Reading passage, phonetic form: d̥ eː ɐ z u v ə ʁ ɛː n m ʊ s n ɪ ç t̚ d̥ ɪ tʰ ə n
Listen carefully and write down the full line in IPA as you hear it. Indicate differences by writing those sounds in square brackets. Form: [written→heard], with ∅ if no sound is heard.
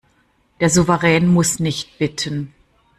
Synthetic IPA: d̥ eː ɐ z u v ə ʁ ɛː n m ʊ s n ɪ ç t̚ [d̥→b̥] ɪ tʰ ə n